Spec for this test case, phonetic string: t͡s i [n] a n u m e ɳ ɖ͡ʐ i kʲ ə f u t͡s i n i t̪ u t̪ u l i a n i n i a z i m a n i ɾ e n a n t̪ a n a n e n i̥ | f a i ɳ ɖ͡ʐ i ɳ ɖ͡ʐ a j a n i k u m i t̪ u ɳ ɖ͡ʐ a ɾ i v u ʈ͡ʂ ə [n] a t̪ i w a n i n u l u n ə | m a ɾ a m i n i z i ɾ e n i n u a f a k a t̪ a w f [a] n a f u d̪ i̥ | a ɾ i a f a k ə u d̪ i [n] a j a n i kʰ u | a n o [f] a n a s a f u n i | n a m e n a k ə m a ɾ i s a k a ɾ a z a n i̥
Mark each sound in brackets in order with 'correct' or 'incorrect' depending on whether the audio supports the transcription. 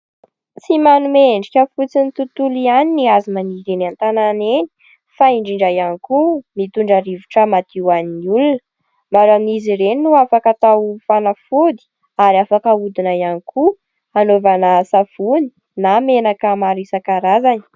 incorrect: m, incorrect: m, correct, correct, incorrect: v

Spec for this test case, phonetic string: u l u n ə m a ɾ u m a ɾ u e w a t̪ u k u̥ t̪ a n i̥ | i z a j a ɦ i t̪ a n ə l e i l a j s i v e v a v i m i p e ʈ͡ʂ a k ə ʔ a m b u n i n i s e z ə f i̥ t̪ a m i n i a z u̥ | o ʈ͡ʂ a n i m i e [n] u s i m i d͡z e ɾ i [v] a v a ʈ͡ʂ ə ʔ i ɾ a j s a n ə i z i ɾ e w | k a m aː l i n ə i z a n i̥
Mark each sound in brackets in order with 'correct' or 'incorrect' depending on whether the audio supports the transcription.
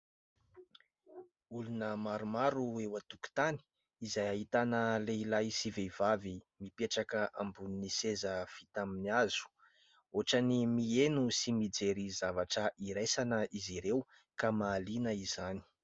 correct, incorrect: z

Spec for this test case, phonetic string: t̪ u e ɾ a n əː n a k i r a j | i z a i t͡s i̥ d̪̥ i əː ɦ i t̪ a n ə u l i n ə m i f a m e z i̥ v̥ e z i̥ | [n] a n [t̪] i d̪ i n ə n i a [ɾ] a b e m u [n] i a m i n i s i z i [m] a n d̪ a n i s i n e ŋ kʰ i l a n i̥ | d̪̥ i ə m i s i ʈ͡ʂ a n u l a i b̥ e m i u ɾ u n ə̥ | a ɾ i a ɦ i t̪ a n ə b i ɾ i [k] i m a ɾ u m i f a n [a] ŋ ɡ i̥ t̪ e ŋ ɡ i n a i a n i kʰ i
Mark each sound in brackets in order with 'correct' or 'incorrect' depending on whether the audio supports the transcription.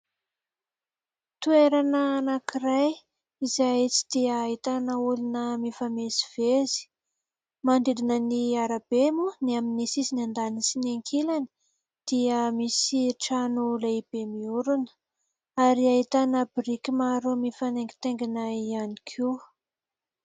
incorrect: m, incorrect: d̪, correct, correct, incorrect: n, correct, incorrect: e

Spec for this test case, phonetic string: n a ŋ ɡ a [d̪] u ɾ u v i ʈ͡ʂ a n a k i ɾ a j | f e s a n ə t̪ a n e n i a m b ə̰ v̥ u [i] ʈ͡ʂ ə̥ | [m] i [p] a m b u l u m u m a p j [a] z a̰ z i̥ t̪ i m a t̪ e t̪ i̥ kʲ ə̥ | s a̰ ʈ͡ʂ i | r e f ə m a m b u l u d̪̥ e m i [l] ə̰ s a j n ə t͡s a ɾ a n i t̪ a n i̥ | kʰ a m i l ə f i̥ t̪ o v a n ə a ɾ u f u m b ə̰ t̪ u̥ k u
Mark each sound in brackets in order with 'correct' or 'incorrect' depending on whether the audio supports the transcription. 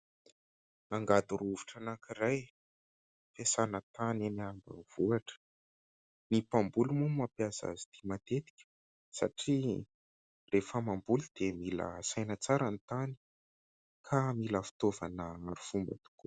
correct, incorrect: a, incorrect: n, correct, correct, correct

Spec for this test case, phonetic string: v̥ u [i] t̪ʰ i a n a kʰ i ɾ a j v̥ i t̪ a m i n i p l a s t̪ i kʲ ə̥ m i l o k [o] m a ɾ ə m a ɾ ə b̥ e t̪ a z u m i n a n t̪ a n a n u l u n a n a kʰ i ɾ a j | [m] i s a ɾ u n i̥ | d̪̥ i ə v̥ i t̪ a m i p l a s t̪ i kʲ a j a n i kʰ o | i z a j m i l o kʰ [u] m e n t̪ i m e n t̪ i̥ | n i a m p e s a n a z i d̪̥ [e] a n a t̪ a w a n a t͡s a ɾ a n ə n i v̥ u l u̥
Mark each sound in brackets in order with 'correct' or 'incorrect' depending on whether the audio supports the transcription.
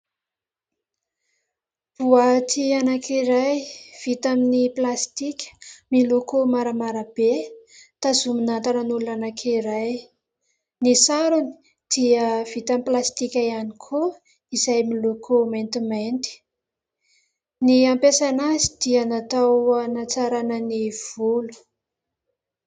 incorrect: a, correct, incorrect: n, incorrect: o, incorrect: i

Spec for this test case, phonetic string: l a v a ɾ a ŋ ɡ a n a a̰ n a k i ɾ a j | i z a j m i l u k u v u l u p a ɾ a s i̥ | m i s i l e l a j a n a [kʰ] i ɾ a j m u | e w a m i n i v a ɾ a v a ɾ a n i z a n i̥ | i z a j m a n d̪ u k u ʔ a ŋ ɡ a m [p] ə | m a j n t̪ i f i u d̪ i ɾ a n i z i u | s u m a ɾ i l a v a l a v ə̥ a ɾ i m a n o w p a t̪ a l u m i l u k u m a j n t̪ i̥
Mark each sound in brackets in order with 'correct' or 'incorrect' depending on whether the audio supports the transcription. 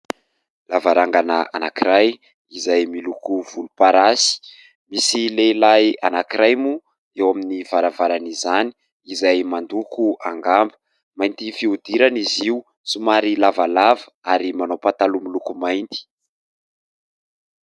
incorrect: k, incorrect: b

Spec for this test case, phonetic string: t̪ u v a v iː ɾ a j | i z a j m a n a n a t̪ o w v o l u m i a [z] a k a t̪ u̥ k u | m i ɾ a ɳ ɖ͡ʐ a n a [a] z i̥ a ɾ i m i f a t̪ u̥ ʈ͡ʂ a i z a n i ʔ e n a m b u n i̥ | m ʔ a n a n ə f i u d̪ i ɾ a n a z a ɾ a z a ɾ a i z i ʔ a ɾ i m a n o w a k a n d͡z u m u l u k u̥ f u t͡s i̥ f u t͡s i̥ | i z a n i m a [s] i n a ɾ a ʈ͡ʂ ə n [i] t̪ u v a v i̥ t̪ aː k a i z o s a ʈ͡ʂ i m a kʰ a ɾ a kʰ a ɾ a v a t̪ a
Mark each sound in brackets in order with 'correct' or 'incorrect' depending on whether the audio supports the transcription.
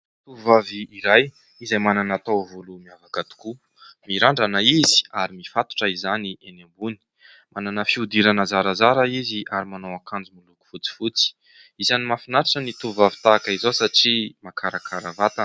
incorrect: v, incorrect: i, incorrect: f, correct

